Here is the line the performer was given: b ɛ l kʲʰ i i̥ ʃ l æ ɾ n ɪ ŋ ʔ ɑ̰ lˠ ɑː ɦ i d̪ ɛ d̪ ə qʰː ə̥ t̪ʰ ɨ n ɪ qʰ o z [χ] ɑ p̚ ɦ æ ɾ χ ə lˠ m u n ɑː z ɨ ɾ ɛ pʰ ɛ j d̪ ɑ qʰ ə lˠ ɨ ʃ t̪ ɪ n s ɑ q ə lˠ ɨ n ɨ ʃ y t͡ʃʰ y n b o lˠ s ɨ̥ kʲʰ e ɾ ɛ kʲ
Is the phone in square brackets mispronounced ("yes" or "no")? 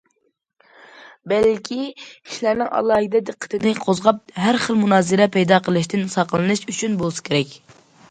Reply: yes